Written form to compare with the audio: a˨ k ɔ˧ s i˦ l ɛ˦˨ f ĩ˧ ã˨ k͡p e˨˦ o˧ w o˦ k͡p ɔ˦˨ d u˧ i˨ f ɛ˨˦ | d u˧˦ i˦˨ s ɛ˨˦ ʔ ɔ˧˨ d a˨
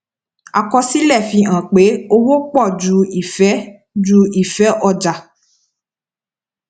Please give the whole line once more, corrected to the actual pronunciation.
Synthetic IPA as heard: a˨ k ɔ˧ s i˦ l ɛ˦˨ f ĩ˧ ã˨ k͡p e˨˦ o˧ w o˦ k͡p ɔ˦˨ d͡ʒ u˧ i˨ f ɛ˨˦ | d͡ʒ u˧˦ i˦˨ f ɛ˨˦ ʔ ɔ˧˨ d͡ʒ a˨